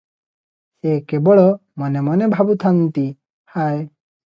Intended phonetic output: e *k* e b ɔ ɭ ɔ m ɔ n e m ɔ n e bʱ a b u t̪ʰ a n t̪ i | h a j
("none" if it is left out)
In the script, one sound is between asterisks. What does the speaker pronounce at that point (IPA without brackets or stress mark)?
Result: k